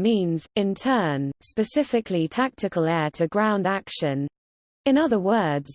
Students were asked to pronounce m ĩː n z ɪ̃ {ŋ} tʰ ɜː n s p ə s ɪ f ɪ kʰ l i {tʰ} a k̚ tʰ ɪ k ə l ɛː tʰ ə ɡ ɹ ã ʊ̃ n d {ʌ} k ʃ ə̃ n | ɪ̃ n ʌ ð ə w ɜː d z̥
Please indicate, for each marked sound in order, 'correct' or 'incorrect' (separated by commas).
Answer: incorrect, correct, incorrect